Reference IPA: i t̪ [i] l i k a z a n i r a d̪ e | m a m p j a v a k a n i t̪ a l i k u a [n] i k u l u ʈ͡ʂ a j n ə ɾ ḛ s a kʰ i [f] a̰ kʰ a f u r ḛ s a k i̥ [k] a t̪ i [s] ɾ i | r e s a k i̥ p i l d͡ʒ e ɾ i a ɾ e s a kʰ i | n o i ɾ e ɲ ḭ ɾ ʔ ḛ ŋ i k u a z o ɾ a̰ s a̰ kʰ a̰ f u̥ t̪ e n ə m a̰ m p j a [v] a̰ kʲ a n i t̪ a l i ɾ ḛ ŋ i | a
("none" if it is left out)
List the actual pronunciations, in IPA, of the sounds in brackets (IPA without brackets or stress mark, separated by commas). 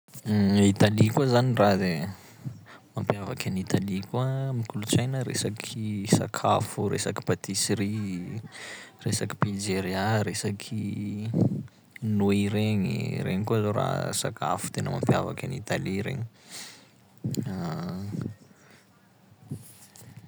a, m, s, p, s, v